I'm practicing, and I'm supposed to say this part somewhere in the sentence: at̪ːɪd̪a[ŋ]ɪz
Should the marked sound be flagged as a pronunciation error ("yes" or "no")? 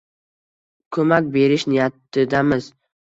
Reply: yes